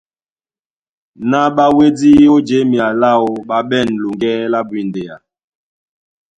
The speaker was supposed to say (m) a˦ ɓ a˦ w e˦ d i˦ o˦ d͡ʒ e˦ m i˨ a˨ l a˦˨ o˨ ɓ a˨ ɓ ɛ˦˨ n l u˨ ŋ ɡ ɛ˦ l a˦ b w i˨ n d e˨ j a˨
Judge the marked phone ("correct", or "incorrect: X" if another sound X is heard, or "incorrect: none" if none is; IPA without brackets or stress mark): incorrect: n